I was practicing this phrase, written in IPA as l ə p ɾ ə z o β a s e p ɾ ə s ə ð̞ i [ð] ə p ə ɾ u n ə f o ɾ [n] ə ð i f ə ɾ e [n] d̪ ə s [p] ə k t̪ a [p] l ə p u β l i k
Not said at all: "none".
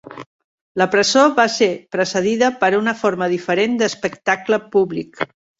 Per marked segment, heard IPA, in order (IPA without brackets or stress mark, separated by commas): ð, m, n, p, k